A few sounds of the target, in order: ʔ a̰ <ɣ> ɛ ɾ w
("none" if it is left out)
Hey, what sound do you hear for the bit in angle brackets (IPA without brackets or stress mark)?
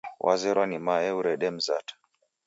z